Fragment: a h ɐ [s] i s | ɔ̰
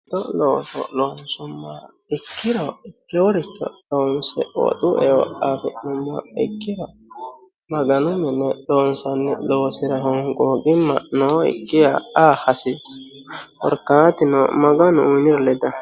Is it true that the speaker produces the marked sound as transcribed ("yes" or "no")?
yes